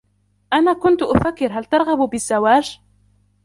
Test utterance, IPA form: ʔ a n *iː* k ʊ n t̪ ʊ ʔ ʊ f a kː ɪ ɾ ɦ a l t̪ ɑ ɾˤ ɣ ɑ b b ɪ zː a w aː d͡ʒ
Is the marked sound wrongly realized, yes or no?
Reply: yes